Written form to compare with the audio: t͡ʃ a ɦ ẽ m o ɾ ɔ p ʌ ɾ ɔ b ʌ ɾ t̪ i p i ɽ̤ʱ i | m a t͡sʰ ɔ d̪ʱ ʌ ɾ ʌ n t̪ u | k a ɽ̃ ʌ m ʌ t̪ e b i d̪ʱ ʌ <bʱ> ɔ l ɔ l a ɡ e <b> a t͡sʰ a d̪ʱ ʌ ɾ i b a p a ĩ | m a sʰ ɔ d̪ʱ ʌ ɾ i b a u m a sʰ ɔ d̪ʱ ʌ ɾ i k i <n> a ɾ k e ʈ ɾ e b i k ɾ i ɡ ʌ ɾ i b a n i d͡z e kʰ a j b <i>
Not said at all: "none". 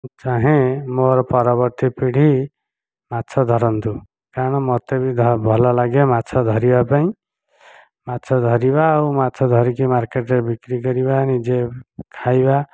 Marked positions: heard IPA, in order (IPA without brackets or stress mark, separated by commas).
bʱ, m, m, a